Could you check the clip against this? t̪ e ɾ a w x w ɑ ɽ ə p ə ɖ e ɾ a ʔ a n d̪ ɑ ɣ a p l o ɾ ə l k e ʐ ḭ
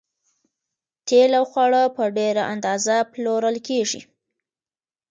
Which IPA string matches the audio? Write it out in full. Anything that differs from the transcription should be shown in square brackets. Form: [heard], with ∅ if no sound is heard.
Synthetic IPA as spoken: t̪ e [l] a w x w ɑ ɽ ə p ə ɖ e ɾ a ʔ a n d̪ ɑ [z] a p l o ɾ ə l k e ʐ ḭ